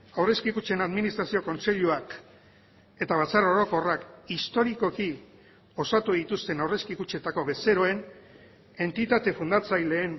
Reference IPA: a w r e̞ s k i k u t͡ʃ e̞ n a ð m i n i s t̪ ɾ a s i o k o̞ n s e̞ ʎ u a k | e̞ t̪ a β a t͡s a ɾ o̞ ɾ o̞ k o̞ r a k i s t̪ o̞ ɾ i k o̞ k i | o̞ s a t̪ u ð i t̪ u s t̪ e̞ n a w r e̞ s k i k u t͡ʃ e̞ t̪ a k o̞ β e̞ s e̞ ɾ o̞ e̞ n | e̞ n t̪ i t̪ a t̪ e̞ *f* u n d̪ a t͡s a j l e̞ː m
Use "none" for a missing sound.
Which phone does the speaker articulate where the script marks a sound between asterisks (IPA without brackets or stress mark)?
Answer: f